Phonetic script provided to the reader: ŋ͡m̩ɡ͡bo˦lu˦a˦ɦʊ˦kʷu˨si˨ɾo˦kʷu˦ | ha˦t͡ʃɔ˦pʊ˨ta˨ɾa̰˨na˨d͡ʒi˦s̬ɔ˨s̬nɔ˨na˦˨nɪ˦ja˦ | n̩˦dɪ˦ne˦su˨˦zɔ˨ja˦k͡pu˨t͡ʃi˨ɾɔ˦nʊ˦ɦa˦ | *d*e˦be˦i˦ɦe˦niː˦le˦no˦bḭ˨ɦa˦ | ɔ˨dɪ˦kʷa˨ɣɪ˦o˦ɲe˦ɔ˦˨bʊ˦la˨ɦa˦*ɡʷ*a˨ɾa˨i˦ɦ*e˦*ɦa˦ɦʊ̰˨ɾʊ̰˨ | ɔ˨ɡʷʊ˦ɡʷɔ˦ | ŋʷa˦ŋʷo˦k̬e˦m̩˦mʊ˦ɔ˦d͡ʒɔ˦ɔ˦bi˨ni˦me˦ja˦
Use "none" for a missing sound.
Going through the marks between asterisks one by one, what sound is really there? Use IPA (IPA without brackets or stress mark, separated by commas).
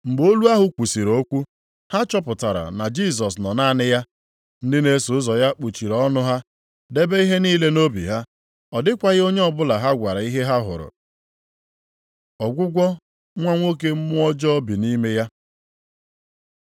d, ɡʷ, e˦